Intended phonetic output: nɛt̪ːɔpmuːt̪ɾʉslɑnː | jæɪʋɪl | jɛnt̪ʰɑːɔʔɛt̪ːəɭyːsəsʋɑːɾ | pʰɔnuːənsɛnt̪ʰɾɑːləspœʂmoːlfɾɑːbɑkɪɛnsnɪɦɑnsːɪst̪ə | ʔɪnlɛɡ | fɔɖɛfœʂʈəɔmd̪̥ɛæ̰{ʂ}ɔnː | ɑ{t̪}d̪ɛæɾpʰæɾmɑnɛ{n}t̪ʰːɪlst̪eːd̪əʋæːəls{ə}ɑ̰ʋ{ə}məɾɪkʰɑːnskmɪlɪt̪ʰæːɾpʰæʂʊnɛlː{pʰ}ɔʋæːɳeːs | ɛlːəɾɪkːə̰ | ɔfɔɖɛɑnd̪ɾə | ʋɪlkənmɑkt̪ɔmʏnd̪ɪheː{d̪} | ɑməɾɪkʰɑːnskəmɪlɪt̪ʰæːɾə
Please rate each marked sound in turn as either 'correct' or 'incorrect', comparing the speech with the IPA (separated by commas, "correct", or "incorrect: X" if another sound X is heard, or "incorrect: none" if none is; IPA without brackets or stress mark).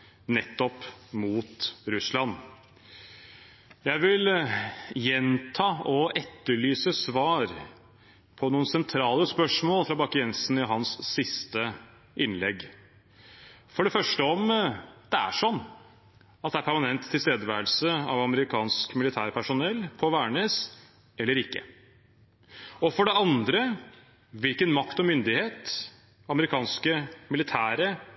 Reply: correct, correct, correct, correct, incorrect: ɑ, correct, incorrect: t̪